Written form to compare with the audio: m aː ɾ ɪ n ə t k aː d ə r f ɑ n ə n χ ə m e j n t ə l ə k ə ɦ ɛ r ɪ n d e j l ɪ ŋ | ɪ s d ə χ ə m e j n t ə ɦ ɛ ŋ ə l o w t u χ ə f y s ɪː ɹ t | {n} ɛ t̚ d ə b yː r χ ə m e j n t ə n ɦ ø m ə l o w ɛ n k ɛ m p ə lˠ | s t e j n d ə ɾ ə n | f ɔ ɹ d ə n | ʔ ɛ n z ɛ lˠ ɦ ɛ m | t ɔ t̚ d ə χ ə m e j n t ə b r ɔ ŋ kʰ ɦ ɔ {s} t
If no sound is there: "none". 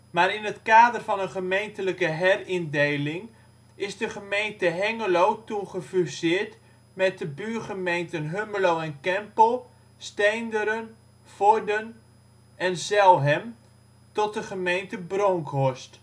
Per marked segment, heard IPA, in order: m, s

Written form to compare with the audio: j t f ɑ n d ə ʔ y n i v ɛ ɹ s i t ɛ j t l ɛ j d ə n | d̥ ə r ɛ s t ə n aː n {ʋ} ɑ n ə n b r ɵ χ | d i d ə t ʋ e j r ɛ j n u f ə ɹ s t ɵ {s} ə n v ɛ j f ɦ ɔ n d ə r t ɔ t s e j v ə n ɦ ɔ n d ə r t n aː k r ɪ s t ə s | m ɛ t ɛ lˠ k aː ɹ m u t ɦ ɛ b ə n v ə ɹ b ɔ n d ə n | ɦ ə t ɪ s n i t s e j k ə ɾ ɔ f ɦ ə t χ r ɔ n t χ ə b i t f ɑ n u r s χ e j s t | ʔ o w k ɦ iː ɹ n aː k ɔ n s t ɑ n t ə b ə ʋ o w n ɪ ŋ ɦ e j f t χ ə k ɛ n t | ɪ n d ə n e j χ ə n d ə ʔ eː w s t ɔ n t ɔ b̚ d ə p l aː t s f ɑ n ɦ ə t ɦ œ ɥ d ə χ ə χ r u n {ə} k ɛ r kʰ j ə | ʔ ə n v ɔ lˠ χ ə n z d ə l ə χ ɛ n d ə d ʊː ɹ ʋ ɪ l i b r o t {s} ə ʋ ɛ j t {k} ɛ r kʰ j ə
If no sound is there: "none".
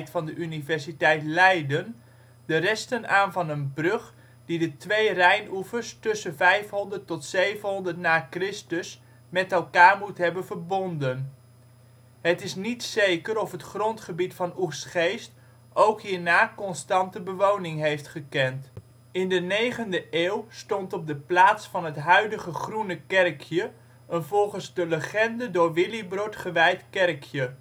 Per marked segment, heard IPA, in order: v, s, ə, χ, k

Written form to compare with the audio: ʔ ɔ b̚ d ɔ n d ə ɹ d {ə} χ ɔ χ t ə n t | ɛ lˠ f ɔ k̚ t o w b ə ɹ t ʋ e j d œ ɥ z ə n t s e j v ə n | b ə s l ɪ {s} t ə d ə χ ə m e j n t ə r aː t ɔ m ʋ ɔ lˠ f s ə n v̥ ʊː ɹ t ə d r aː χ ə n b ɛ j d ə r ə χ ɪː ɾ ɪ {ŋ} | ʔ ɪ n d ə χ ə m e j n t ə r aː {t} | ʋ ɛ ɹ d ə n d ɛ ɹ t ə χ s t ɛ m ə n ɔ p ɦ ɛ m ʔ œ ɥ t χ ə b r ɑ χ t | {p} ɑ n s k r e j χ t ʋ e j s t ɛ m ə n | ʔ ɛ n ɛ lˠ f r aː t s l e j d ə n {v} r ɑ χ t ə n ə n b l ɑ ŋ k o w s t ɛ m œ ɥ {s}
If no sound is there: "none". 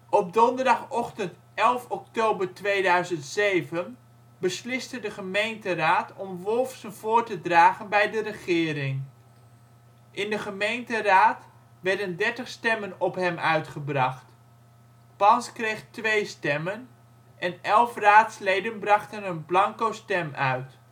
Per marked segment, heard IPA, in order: ɑ, s, ŋ, t, p, b, t

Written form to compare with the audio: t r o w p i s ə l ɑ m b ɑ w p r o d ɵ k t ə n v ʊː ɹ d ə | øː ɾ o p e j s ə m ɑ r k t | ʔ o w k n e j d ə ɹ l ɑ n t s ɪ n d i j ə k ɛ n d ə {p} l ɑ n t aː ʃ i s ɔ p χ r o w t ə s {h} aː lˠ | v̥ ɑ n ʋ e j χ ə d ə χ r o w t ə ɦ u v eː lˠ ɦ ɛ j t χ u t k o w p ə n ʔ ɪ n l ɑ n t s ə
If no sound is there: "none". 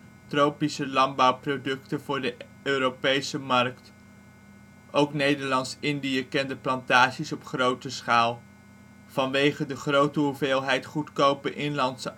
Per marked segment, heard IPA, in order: p, χ

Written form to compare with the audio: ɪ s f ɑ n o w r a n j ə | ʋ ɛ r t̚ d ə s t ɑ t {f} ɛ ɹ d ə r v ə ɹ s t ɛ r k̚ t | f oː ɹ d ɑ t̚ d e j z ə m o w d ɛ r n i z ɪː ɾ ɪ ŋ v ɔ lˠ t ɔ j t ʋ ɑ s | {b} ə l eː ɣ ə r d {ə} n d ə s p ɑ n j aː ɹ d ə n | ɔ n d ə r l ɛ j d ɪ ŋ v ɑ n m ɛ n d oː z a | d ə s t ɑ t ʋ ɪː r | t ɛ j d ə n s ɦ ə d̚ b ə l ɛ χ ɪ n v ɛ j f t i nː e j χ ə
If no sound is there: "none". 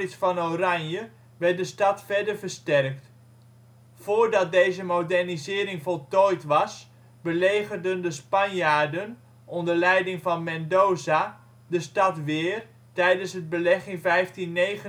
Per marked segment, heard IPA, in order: f, b, ə

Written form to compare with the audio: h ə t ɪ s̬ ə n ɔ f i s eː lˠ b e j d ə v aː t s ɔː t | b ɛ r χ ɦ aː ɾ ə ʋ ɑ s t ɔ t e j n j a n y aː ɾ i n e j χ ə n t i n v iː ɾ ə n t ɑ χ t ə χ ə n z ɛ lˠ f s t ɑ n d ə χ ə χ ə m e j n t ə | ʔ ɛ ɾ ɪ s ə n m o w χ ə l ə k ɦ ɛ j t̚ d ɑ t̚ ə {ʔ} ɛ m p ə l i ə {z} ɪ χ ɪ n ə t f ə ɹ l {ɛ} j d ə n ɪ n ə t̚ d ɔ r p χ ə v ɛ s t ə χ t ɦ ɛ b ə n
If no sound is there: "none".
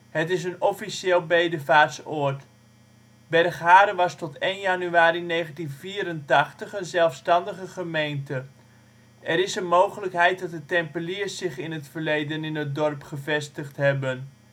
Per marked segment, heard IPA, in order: t, s, e

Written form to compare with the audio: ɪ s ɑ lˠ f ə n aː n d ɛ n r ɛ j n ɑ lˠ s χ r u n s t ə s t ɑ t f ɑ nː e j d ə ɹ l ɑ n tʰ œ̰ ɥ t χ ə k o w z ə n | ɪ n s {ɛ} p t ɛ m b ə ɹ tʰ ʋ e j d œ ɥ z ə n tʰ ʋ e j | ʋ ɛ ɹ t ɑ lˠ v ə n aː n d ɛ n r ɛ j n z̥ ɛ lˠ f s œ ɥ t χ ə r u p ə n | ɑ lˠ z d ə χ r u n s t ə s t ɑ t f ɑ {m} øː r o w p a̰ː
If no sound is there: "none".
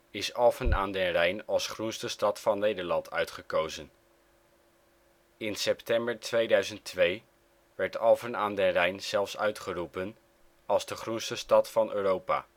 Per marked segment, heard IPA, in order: ɛ, n

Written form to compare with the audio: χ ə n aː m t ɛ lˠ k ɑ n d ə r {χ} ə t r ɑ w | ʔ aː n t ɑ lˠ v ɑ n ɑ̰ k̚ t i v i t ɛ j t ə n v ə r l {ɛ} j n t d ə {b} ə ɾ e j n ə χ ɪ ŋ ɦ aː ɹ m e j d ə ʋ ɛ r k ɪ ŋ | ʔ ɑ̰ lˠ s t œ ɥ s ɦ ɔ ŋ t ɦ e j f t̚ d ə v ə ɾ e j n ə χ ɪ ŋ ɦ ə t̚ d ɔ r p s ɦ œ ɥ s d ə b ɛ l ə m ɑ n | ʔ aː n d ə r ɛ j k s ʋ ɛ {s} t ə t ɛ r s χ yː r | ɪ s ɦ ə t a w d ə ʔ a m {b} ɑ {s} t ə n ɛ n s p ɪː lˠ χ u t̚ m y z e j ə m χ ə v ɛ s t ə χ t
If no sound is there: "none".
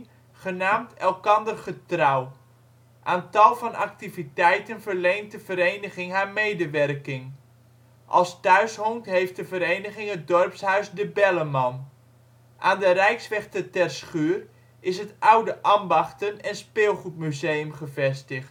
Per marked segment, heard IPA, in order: χ, e, v, χ, b, χ

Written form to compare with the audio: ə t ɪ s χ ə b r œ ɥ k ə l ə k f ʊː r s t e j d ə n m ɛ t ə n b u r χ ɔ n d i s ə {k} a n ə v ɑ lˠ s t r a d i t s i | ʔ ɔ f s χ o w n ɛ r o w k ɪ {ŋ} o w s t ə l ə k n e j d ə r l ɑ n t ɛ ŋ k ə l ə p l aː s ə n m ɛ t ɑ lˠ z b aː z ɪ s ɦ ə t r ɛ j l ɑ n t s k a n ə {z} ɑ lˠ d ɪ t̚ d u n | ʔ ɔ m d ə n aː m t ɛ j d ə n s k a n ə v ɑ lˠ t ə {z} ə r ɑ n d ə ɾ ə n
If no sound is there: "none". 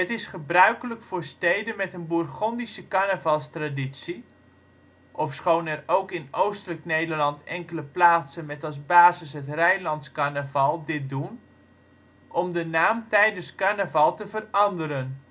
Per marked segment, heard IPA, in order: k, n, v, v

